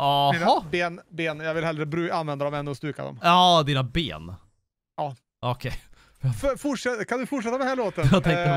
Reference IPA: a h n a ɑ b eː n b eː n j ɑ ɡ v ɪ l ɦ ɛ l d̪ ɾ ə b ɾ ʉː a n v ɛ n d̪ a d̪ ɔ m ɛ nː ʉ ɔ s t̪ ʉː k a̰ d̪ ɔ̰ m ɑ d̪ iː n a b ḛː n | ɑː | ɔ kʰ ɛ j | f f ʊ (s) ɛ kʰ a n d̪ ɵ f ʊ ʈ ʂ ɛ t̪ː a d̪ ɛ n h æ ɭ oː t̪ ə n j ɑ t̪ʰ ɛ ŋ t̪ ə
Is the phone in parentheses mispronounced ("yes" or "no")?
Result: yes